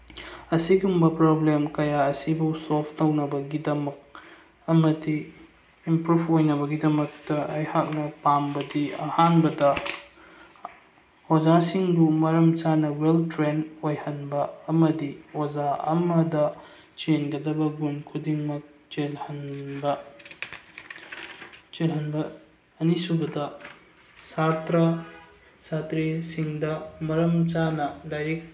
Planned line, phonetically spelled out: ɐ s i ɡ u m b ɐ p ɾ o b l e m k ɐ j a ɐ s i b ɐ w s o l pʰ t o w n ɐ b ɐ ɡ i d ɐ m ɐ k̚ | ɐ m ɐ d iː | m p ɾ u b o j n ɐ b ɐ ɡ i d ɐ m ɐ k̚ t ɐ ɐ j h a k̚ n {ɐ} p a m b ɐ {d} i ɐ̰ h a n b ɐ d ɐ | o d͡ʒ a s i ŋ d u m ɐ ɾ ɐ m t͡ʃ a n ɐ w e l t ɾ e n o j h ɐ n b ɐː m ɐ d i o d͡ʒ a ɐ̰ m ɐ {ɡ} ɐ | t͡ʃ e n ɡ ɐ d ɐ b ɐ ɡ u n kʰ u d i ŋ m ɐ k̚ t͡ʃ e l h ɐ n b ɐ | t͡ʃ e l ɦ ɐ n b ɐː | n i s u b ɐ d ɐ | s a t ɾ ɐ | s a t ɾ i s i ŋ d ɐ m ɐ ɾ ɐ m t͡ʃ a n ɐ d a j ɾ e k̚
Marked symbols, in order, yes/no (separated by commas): yes, yes, no